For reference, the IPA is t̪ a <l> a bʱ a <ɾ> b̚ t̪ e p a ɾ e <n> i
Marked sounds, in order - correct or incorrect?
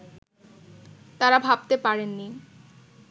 incorrect, incorrect, incorrect

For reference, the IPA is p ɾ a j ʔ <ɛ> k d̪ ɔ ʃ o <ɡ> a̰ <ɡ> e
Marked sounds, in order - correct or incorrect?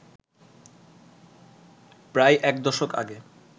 correct, incorrect, correct

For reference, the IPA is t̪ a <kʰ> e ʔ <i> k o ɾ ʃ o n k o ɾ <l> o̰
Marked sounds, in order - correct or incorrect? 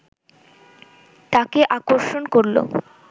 incorrect, incorrect, correct

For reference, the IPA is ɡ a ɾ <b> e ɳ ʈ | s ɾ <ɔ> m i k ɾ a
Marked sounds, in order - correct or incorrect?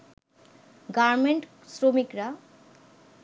incorrect, incorrect

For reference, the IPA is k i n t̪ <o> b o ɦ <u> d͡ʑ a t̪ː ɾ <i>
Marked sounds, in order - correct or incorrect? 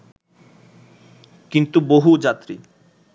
incorrect, correct, correct

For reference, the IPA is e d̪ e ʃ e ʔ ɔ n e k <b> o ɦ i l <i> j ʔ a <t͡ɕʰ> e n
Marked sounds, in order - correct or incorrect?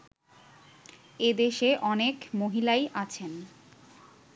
incorrect, incorrect, correct

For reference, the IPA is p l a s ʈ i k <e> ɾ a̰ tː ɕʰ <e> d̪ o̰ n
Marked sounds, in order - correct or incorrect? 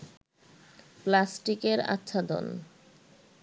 correct, incorrect

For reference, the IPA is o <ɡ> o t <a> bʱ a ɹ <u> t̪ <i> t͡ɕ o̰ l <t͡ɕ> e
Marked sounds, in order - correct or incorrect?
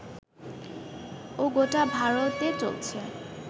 correct, correct, incorrect, incorrect, incorrect

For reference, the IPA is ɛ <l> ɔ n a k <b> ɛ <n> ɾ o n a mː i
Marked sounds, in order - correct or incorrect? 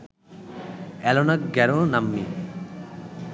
correct, incorrect, incorrect

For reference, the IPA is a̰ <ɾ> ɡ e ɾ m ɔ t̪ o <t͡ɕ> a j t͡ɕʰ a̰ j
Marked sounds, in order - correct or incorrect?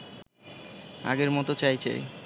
incorrect, correct

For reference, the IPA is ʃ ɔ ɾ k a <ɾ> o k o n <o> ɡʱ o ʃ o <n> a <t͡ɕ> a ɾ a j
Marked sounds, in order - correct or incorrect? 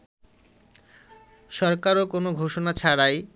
correct, correct, correct, incorrect

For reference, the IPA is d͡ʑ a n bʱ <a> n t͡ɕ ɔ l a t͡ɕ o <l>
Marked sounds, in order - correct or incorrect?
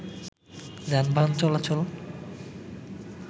correct, correct

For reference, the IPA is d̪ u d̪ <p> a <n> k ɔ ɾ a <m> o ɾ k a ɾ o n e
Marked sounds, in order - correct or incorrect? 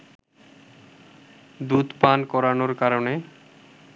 correct, correct, incorrect

